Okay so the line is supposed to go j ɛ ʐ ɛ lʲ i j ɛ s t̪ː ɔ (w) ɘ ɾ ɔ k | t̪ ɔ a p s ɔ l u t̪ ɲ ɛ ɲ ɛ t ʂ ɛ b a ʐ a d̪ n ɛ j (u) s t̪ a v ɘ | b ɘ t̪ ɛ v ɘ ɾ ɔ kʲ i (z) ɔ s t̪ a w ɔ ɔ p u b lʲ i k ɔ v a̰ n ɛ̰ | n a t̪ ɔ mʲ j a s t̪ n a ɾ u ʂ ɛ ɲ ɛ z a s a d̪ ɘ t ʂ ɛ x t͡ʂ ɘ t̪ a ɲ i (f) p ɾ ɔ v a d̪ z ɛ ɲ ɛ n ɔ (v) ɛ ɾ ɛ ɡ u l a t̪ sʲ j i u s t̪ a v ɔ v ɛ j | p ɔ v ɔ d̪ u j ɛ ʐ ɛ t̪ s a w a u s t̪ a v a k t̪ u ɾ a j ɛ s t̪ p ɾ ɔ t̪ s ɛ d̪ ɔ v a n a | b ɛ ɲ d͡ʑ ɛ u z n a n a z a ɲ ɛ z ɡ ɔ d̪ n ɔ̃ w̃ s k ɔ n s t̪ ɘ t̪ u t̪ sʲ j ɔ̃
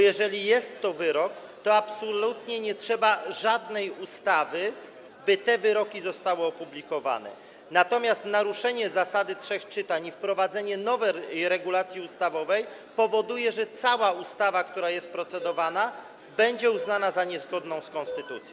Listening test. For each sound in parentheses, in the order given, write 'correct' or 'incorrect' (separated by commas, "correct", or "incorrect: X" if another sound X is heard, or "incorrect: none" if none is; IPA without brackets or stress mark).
incorrect: v, correct, correct, correct, correct